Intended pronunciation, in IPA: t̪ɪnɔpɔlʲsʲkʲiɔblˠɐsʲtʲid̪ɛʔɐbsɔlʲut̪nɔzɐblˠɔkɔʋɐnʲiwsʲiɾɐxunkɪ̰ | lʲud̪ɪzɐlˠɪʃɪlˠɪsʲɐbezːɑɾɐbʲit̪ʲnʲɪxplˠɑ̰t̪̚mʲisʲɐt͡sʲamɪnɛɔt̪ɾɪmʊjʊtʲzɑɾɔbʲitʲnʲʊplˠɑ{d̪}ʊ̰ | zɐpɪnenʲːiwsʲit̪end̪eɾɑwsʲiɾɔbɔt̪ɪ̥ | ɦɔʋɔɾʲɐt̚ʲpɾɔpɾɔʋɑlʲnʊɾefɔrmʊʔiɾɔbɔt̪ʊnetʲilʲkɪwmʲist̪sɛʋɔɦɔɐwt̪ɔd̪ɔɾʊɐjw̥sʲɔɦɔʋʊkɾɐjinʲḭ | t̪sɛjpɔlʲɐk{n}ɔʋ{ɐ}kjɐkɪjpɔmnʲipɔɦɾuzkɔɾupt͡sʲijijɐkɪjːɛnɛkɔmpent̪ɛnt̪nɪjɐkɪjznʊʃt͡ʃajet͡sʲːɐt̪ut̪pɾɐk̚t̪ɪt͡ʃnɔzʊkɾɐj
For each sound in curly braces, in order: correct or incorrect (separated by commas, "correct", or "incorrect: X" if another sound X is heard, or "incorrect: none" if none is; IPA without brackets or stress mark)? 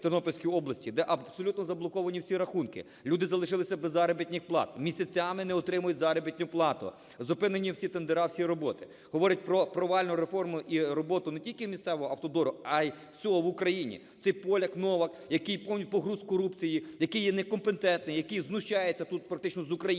incorrect: t̪, correct, correct